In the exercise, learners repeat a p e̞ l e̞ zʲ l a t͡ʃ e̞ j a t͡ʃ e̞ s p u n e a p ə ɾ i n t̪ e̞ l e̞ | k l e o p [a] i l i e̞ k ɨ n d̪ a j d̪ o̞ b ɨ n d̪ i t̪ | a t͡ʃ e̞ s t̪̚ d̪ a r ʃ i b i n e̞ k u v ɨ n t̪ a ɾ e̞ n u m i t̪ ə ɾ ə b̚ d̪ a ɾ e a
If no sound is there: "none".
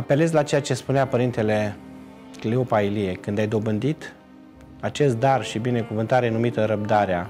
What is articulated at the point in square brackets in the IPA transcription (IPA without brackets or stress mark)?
a